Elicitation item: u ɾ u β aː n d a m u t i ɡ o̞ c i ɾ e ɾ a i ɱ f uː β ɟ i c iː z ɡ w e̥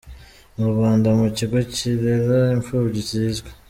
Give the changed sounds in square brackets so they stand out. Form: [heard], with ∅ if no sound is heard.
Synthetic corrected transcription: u ɾ u β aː n d a m u [c] i ɡ o̞ c i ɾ e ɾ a i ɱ f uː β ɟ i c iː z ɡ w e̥